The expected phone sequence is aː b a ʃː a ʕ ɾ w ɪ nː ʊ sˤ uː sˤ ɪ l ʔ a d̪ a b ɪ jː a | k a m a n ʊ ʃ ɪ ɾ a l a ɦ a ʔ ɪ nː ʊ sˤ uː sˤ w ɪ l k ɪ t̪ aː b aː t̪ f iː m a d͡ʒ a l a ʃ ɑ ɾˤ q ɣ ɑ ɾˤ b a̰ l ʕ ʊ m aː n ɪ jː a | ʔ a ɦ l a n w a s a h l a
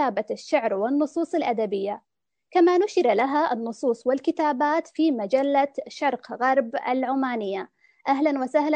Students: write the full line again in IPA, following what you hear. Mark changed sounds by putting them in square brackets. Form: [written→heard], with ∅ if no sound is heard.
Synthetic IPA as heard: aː b a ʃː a ʕ ɾ w ɪ nː ʊ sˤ uː sˤ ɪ l ʔ a d̪ a b ɪ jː a | k a m a n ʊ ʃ ɪ ɾ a l a ɦ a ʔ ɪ nː ʊ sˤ uː sˤ w ɪ l k ɪ t̪ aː b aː t̪ f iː m a d͡ʒ a [l→lː] a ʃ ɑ ɾˤ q ɣ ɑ ɾˤ b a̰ l ʕ ʊ m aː n ɪ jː a | ʔ a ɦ l a n w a s a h l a